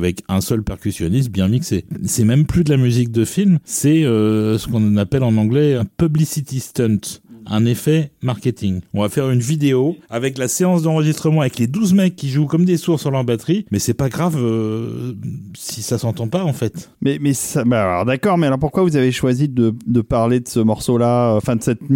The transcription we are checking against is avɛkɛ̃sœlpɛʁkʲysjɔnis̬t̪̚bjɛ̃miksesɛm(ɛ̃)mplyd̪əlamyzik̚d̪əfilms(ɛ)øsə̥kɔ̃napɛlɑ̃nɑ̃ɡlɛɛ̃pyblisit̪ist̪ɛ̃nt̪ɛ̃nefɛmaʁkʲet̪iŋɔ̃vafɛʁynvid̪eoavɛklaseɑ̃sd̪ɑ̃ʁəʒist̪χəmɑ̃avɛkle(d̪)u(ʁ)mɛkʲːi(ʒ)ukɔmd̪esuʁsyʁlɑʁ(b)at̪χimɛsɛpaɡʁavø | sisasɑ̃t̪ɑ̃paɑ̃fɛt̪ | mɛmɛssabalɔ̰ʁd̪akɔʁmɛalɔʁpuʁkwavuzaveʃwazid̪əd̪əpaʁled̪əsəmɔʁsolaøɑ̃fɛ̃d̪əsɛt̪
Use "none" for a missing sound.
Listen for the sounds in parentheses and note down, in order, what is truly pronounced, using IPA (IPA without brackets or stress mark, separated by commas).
ɛ, ɛ, d̪, z, ʒ, b